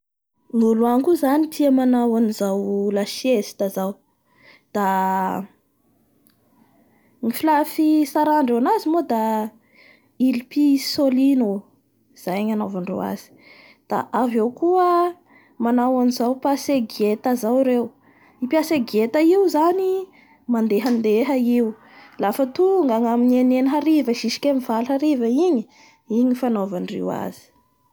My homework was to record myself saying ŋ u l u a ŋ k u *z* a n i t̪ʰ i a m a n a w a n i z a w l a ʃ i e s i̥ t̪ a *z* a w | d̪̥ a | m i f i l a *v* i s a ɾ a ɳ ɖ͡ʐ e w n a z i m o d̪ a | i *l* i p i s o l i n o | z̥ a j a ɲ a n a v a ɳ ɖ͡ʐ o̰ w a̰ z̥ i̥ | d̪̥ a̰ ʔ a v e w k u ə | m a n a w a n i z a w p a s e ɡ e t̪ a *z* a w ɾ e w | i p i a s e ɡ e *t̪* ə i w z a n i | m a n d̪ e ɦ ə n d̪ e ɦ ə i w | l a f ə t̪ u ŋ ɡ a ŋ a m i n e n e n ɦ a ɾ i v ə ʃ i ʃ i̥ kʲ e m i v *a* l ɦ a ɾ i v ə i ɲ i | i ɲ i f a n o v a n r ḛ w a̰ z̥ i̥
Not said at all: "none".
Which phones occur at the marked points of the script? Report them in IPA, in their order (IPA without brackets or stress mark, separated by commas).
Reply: z, z, f, l, z, t̪, a